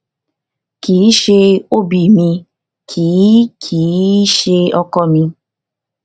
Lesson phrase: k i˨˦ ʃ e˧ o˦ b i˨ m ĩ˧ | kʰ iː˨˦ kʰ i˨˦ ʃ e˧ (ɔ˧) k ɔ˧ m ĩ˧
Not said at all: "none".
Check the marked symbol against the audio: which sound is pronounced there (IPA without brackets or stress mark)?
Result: ɔ˧